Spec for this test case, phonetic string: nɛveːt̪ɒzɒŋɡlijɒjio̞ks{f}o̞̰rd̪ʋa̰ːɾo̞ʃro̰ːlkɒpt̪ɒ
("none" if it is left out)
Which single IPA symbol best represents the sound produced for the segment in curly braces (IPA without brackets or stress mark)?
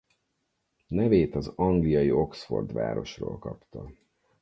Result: f